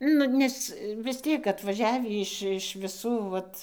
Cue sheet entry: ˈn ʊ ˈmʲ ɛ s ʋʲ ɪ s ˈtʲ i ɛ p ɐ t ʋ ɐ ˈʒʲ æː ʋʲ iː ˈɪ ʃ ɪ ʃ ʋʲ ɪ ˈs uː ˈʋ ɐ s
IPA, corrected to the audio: ˈn ʊ ˈnʲ ɛ s ʋʲ ɪ s ˈtʲ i ɛ k ɐ t ʋ ɐ ˈʒʲ æː ʋʲ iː ˈɪ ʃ ɪ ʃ ʋʲ ɪ ˈs uː ˈʋ ɐ t